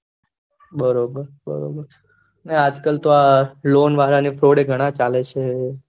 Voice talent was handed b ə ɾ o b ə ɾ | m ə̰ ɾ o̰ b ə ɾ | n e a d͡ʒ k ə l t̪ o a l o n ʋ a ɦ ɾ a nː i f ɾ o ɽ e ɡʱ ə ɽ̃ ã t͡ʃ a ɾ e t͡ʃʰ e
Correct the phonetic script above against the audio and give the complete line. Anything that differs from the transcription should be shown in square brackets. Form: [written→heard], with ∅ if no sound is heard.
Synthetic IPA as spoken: b ə ɾ o b ə ɾ | [m→b] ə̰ ɾ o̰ b ə ɾ | n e a d͡ʒ k ə l t̪ o a l o n ʋ a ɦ ɾ a [nː→n] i f ɾ o ɽ e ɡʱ ə ɽ̃ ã t͡ʃ a [ɾ→l] e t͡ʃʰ e